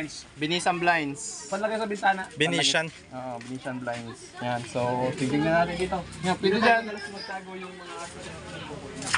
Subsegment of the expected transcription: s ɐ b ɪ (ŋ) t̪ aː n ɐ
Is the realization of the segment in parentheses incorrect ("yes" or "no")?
yes